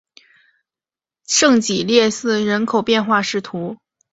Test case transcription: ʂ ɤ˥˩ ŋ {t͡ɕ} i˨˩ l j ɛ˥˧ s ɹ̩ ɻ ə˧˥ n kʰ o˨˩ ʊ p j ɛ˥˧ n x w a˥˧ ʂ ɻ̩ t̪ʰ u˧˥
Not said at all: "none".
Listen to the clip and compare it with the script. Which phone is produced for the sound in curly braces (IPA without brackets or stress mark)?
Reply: t͡ɕ